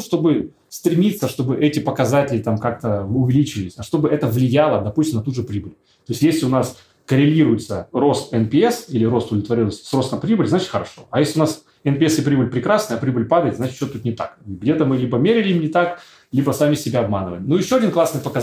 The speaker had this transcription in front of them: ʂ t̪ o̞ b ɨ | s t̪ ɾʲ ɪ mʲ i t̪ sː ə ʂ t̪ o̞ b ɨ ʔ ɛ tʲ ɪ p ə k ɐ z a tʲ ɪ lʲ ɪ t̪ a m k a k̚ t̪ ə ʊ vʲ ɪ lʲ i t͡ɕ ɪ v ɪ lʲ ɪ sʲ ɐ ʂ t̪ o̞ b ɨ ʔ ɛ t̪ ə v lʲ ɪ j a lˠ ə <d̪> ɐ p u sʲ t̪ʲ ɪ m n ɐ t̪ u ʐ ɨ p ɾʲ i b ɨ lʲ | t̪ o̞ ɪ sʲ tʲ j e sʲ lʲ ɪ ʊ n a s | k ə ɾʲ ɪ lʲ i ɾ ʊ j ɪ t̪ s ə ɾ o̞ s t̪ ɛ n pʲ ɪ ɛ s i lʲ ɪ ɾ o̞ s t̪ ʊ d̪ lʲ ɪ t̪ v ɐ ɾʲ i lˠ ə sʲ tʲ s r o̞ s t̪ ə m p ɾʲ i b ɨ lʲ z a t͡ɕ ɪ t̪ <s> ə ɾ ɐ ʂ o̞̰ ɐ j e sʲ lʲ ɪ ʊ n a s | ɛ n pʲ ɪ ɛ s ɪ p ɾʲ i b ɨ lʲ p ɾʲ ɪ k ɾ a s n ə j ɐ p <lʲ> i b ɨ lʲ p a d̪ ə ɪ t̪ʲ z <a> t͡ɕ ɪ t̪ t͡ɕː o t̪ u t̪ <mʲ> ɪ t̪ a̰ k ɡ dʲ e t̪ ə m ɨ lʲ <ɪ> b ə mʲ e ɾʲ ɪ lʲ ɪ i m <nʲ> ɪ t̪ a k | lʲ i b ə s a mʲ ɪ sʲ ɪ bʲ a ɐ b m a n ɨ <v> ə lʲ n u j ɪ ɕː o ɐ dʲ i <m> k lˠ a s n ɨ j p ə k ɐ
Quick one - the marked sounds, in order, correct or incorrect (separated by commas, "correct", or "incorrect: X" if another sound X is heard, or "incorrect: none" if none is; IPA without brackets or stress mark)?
correct, incorrect: x, incorrect: ɾʲ, correct, incorrect: nʲ, incorrect: i, correct, correct, incorrect: n